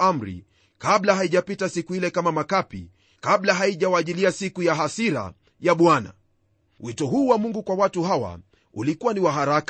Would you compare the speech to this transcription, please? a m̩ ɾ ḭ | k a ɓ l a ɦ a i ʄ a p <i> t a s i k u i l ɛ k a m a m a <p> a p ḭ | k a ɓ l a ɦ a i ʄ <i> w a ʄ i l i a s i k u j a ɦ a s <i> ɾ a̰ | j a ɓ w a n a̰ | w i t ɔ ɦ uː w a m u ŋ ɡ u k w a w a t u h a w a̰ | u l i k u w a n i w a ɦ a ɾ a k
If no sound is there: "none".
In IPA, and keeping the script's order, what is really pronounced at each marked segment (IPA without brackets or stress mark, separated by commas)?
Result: i, k, a, i